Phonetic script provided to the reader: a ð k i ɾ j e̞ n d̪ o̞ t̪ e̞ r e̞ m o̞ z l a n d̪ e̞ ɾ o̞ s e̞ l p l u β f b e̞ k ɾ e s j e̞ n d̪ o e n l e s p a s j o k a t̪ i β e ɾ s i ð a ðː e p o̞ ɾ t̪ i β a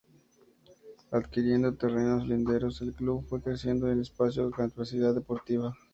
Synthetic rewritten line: a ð k i ɾ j e̞ n d̪ o̞ t̪ e̞ r e̞ n o̞ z l i n d̪ e̞ ɾ o̞ s e̞ l k l u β f w e̞ k ɾ e s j e̞ n d̪ o e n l e s p a s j o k a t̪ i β e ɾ s i ð a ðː e p o̞ ɾ t̪ i β a